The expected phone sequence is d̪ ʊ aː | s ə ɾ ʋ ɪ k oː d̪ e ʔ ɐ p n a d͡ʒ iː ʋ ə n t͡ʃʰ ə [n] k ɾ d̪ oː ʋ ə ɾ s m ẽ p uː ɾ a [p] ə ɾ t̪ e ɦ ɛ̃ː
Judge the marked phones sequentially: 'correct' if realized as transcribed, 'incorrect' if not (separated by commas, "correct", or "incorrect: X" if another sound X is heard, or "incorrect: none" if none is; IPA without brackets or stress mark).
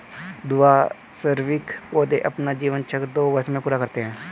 incorrect: none, incorrect: k